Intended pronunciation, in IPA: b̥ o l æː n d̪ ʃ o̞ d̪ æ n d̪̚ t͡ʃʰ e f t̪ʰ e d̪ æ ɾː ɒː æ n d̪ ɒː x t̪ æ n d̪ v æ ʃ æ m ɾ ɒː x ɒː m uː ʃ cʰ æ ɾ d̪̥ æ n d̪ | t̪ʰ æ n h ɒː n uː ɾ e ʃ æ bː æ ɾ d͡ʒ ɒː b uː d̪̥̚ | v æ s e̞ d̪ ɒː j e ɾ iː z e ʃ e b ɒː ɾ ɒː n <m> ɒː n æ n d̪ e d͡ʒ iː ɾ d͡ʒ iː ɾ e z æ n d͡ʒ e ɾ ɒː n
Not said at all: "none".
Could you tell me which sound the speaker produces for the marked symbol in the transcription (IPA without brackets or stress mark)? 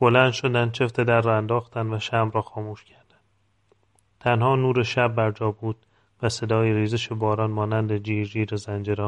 m